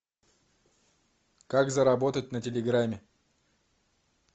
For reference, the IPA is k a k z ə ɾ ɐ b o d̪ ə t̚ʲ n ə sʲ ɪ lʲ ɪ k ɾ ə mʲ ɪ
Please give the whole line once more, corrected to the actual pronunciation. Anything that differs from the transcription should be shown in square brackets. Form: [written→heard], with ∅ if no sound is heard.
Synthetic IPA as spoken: k a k z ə ɾ ɐ b o [d̪→t̪] ə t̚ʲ n ə [sʲ→tʲ] ɪ lʲ ɪ [k→ɡ] ɾ [ə→a] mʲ ɪ